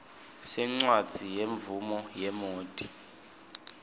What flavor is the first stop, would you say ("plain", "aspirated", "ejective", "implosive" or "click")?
click